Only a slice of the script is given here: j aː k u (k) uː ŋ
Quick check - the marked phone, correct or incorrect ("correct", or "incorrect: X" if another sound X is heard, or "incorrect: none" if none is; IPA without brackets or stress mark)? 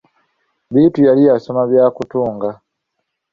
incorrect: t